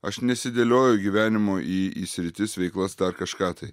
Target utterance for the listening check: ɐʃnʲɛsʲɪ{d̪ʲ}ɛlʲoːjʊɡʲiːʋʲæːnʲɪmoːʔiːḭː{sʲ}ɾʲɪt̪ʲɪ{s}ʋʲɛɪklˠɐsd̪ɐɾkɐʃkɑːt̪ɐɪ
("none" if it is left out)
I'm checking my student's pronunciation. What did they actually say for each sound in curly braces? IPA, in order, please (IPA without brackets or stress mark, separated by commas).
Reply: d̪ʲ, sʲ, s